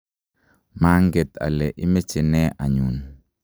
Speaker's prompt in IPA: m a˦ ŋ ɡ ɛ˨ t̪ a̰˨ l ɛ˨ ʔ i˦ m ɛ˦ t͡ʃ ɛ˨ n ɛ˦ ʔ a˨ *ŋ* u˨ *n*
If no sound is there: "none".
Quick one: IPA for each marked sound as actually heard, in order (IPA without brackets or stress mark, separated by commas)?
ɲ, n